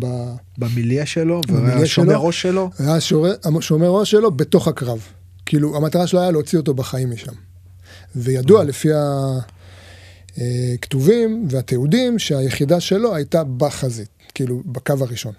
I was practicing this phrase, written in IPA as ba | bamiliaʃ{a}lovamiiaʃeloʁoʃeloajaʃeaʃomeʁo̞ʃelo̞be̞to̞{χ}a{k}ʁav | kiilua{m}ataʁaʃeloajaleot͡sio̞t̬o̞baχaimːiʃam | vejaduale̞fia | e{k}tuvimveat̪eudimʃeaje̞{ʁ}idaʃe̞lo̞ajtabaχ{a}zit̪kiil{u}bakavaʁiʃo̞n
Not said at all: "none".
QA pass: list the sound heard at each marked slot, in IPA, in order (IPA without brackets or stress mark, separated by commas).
e, χ, k, m, k, χ, a, u